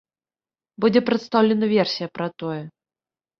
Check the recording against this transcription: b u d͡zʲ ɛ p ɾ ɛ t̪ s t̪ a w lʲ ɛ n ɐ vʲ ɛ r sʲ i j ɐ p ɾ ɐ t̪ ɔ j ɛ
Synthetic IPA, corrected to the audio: b u d͡zʲ ɛ p ɾ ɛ t̪ s t̪ a w lʲ ɛ n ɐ vʲ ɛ r sʲ i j ɐ p ɾ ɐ t̪ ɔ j ɛ